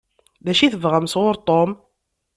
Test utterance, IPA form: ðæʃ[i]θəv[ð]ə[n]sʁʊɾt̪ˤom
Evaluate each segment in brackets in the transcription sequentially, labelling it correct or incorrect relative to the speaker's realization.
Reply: correct, incorrect: ʁ, incorrect: m

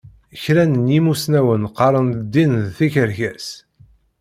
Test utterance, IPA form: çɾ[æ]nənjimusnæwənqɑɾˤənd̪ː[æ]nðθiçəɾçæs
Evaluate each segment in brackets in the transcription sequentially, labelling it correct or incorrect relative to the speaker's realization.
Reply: correct, incorrect: i

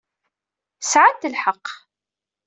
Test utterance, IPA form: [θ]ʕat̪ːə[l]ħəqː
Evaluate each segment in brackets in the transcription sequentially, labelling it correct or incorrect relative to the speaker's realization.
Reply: incorrect: s, correct

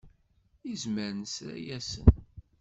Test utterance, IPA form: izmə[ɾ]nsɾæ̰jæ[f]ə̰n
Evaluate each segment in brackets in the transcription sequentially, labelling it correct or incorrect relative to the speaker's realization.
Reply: correct, incorrect: s

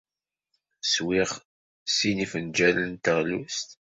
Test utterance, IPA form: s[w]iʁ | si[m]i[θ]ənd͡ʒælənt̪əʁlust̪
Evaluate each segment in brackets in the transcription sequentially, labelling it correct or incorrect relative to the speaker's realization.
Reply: correct, incorrect: n, incorrect: f

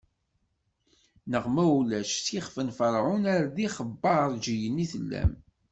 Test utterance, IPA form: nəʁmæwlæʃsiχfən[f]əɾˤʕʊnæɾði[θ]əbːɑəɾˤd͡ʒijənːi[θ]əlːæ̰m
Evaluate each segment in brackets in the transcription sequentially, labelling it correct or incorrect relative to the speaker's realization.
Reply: correct, incorrect: χ, correct

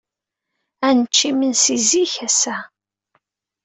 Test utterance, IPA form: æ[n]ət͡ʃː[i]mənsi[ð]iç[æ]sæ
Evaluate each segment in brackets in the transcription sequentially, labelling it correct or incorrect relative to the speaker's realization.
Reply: correct, correct, incorrect: z, correct

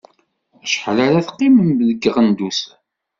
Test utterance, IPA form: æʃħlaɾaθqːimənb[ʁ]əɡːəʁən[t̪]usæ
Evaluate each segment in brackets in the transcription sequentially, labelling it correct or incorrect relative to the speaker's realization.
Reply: incorrect: ð, incorrect: d̪

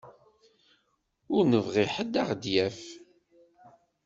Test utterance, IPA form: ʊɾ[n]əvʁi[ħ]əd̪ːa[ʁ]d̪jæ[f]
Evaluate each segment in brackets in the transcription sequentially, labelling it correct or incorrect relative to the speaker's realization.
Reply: correct, correct, correct, correct

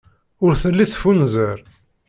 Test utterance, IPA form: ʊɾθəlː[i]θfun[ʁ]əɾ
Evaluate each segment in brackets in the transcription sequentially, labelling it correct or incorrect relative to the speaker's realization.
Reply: correct, incorrect: z

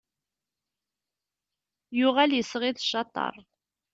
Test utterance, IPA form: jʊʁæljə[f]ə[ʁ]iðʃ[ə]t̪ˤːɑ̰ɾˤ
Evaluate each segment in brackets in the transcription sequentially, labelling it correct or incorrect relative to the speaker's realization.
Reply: incorrect: s, correct, incorrect: ɑ

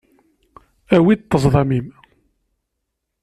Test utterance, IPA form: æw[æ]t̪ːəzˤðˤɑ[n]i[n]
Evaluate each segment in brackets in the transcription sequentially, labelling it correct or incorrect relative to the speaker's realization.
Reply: incorrect: i, incorrect: m, incorrect: m

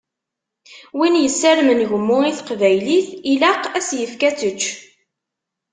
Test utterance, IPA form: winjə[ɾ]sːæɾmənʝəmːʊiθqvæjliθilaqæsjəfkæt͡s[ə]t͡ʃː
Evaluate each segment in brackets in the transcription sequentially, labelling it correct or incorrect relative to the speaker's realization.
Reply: incorrect: none, correct

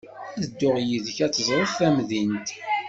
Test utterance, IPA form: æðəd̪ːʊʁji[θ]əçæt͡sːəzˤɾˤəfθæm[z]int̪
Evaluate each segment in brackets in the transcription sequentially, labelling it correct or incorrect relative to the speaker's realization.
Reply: incorrect: ð, incorrect: ð

